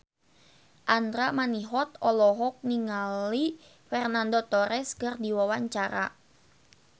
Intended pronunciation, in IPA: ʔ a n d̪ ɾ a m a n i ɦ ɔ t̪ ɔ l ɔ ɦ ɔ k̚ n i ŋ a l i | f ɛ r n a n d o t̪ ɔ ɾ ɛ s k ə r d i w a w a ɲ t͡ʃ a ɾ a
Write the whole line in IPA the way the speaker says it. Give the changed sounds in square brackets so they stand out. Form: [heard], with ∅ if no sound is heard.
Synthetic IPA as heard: ʔ a n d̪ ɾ a m a n i ɦ ɔ t̪ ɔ l ɔ ɦ ɔ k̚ n i ŋ a l i | f ɛ r n a n d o t̪ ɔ ɾ ɛ s k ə r d i w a w a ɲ t͡ʃ a ɾ a